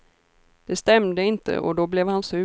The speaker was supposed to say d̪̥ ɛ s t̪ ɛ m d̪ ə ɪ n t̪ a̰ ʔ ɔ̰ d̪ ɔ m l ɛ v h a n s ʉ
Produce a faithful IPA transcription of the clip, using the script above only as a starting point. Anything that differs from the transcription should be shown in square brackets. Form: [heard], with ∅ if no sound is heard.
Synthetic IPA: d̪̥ ɛ s t̪ ɛ m d̪ ə ɪ n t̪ [ə̰] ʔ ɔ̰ d̪ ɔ [b] l ɛ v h a n s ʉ

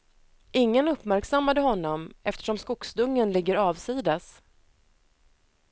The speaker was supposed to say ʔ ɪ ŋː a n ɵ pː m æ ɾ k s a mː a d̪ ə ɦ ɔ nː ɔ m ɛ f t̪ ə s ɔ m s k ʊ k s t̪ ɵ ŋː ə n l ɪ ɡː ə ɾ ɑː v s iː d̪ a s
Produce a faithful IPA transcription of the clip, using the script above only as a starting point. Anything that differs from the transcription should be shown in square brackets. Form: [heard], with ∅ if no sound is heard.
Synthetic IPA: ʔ ɪ ŋː [ə] n ɵ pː m æ ɾ k s a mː a d̪ ə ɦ ɔ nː ɔ m ɛ f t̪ ə [ʂ] ɔ m s k ʊ k s [d̪] ɵ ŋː ə n l ɪ ɡː ə ɾ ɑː v s iː d̪ a s

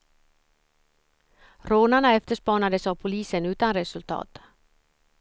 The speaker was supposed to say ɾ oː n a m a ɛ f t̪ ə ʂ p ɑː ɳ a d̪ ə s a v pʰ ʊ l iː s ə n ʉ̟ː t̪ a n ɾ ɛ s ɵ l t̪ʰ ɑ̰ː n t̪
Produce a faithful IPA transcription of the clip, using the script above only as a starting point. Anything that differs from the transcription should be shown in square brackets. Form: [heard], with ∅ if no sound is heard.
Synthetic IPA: ɾ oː n a [ɳ] a ɛ f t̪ ə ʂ p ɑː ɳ a d̪ ə s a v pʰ ʊ l iː s ə n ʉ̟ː t̪ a n ɾ ɛ s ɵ l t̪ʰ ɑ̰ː [∅] t̪

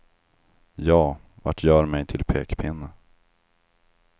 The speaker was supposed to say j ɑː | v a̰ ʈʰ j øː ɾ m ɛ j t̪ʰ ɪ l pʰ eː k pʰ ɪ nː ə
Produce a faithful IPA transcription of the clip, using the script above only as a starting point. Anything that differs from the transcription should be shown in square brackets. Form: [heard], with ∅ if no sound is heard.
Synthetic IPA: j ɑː | v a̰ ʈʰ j [œː] ɾ m ɛ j t̪ʰ ɪ l pʰ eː k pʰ ɪ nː ə

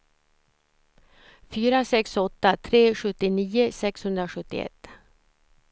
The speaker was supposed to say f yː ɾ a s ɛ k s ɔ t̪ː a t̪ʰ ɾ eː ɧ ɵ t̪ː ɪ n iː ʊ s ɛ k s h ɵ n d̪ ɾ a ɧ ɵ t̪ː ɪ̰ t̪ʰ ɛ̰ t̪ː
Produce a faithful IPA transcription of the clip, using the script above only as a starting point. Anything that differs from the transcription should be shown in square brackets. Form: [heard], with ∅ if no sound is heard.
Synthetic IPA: f yː ɾ a s ɛ k s ɔ t̪ː a t̪ʰ ɾ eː ɧ ɵ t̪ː ɪ n iː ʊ s ɛ k s h ɵ n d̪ ɾ a ɧ ɵ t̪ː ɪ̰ [∅] ɛ̰ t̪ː

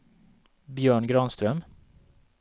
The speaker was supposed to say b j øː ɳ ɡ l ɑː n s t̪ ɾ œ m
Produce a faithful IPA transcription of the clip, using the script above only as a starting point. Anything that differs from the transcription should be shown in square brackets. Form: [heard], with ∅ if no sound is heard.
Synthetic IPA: b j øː ɳ ɡ [ɾ] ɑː n s t̪ ɾ œ m

